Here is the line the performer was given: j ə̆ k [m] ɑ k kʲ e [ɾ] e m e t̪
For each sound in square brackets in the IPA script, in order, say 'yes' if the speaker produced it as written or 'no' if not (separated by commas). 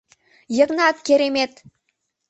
no, yes